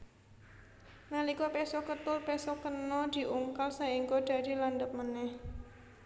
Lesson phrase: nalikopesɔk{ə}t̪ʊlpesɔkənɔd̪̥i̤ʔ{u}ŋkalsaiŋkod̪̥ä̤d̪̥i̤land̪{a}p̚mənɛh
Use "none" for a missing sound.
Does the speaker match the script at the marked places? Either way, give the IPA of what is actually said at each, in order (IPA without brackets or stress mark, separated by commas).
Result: ə, u, ə